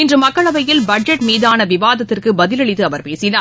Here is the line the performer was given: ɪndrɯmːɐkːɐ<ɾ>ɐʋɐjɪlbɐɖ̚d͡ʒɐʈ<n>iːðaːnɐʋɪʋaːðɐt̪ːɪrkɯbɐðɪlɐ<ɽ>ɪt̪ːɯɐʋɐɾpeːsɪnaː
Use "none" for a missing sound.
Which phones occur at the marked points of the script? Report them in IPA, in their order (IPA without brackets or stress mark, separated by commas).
ɭ, m, ɭ